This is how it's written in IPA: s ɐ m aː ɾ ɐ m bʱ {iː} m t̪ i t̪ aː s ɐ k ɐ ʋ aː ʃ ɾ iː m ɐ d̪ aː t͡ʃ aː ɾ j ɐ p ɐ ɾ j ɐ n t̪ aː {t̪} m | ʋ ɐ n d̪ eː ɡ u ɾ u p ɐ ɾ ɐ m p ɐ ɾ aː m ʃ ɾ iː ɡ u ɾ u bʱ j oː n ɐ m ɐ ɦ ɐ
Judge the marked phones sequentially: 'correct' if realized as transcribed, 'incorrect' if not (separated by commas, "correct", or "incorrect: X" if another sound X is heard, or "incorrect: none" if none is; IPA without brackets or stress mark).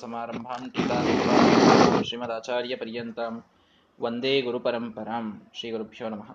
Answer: incorrect: aː, incorrect: none